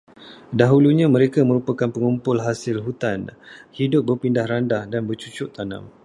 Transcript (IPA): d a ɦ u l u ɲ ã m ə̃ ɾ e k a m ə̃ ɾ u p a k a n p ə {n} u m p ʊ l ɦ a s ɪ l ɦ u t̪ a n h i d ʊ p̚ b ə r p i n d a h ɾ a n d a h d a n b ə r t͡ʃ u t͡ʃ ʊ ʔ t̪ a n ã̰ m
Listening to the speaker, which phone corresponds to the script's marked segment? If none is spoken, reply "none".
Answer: ŋ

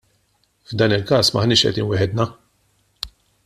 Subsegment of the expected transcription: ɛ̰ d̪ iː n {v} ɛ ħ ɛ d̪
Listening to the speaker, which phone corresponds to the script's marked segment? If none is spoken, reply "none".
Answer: w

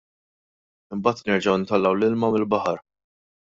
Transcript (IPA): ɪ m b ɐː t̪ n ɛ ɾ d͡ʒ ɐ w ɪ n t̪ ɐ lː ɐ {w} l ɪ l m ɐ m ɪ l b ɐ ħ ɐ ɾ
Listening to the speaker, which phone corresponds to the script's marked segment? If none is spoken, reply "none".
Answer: w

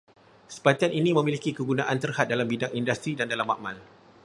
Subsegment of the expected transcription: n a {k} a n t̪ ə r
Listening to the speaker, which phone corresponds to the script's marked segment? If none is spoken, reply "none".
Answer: ʔ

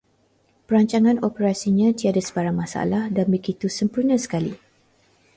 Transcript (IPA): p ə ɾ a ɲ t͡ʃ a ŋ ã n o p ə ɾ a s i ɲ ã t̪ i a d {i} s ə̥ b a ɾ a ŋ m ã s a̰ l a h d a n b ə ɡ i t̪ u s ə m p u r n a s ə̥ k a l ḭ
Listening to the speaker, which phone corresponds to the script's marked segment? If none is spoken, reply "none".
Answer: a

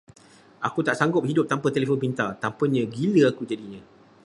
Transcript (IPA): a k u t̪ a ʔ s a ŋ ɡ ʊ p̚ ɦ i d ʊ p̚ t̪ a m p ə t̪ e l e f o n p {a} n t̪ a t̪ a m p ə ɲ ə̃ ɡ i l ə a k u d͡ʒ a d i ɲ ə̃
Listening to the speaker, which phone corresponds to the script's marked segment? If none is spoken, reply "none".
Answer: i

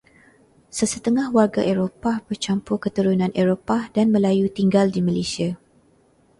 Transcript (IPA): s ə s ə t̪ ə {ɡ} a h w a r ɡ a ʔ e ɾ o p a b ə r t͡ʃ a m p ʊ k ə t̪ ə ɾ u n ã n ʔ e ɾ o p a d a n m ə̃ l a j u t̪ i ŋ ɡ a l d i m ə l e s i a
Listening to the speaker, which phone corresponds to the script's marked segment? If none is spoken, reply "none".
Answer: ŋ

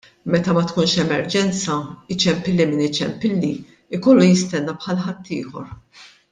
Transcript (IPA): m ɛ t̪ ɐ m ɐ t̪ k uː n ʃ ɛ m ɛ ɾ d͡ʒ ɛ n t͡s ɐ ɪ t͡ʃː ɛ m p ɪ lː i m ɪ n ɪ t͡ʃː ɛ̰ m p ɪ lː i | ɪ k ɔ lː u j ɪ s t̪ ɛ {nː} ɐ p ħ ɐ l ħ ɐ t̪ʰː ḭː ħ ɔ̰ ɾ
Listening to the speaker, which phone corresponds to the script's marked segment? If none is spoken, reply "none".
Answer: nː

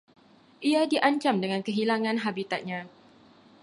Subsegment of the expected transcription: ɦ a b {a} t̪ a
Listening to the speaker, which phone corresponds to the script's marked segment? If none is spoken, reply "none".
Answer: i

